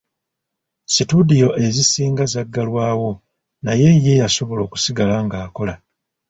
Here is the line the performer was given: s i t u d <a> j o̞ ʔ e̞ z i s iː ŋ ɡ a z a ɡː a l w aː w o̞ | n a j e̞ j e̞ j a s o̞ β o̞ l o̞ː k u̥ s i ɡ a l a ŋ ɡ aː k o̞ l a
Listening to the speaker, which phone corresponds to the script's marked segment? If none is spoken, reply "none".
i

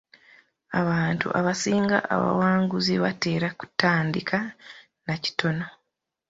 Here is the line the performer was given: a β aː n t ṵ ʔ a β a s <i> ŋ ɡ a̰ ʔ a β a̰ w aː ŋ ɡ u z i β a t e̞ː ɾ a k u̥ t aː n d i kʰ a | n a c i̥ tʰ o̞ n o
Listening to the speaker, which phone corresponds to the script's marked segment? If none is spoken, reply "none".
iː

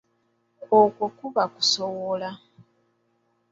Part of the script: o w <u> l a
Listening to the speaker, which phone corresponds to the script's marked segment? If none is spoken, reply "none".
o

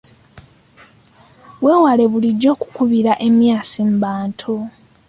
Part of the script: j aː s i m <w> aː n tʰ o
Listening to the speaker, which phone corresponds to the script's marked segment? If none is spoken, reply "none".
b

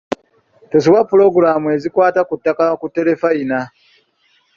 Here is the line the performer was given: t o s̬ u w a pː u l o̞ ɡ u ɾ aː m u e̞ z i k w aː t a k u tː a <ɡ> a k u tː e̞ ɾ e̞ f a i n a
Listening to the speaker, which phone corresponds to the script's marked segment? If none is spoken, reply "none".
k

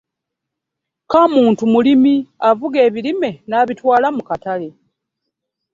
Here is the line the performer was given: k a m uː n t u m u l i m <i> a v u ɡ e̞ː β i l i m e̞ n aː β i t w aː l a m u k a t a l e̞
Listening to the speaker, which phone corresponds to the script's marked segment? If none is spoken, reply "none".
i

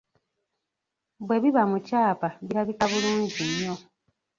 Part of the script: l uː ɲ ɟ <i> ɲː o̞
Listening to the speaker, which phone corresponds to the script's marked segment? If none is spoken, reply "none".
i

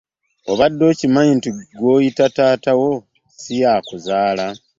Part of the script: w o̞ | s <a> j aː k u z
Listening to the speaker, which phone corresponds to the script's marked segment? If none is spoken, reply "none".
i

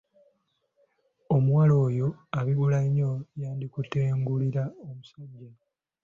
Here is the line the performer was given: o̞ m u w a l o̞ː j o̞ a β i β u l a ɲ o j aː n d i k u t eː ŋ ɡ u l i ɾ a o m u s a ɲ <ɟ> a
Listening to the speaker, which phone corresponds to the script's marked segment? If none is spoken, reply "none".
ɟ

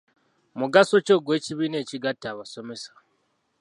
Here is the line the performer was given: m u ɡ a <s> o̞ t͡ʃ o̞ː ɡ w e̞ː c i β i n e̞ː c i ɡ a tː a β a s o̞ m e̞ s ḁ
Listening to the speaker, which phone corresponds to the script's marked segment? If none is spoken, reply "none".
s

